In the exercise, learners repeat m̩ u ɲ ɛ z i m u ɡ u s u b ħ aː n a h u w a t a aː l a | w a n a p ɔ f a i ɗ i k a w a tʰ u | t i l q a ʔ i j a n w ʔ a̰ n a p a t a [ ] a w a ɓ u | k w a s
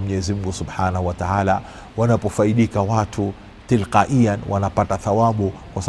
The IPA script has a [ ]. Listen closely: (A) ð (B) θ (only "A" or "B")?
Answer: B